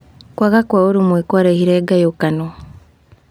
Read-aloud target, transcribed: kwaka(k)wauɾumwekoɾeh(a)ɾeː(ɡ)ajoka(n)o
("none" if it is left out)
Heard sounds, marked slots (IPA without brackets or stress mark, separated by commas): k, i, ɡ, n